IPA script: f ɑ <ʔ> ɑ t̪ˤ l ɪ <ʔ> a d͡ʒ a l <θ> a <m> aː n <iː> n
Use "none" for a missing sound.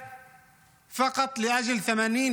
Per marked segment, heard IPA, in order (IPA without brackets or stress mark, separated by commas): q, ʔ, θ, m, iː